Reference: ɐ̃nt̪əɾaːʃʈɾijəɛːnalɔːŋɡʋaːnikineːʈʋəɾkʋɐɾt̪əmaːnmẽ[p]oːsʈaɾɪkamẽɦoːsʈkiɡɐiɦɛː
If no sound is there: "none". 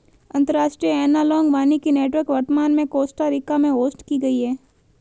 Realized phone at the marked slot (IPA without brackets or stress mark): k